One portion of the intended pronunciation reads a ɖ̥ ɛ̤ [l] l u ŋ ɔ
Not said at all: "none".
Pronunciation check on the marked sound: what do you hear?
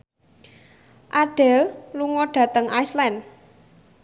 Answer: l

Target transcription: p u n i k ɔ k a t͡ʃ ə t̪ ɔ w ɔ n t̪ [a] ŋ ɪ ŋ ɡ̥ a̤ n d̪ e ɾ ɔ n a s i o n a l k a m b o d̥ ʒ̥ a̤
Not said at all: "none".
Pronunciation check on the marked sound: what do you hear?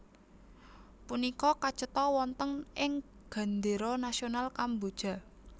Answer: ə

